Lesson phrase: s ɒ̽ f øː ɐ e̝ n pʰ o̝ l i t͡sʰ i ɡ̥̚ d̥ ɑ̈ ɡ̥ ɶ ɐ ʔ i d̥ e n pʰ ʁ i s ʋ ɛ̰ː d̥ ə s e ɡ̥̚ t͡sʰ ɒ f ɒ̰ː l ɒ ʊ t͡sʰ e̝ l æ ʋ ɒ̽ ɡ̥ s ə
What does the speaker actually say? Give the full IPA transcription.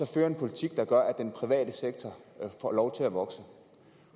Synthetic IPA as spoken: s ɒ̽ f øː ɐ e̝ n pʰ o̝ l i t͡sʰ i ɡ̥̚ d̥ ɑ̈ ɡ̥ ɶ ɐ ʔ æ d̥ e n pʰ ʁ i ʋ ɛ̰ː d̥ ə s e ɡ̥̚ t͡sʰ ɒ f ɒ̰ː l ɒ ʊ t͡sʰ e̝ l æ ʋ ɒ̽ ɡ̥ s ə